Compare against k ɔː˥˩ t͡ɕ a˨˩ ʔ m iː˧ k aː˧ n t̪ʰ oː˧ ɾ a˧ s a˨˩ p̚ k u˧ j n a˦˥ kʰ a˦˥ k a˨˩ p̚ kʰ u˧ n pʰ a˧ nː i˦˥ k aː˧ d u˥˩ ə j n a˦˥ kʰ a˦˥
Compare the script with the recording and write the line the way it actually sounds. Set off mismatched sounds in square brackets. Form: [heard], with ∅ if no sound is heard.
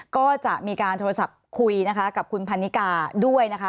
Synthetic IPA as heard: k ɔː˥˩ t͡ɕ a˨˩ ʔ m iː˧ k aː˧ n t̪ʰ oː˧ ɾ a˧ s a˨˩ p̚ [kʰ] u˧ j n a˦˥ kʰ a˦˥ k a˨˩ p̚ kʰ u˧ n pʰ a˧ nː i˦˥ k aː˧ d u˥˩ ə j n a˦˥ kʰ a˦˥